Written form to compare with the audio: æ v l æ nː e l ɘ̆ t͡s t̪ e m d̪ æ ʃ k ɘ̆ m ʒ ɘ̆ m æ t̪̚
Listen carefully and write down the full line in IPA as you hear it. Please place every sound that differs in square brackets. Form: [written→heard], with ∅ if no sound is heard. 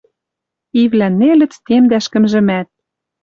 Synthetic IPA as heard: [æ→i] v l æ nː e l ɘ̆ t͡s t̪ e m d̪ æ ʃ k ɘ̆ m ʒ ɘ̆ m æ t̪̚